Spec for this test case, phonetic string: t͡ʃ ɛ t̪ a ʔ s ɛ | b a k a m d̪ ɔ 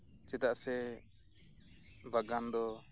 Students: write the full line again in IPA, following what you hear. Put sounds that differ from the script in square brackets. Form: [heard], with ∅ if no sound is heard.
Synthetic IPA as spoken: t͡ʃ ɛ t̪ a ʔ s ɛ | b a [ɡ] a [n] d̪ ɔ